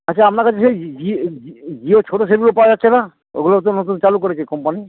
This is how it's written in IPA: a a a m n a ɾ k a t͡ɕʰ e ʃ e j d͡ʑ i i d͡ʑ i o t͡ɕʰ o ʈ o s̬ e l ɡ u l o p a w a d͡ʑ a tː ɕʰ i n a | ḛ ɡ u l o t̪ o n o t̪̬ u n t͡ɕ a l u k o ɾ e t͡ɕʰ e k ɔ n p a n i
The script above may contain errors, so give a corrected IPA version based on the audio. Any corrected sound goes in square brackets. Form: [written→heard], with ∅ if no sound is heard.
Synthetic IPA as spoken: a a a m n a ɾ k a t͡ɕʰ e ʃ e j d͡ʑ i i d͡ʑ i o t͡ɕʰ o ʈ o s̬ e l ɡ u l o p a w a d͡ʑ a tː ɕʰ [i→e] n a | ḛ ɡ u l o t̪ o n o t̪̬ u n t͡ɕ a l u k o ɾ e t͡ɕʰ e k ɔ [n→m] p a n i